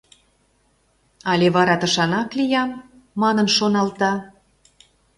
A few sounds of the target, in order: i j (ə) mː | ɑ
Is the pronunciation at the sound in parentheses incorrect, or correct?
incorrect